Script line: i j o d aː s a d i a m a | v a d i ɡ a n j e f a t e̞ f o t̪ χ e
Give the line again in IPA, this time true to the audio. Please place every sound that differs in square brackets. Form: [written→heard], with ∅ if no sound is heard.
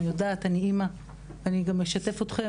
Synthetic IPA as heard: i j o d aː [s→t] a [d→n] i [a→i] m a | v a [d→n] i ɡ a [n→m] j e [f→ʃ] a t e̞ f o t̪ χ e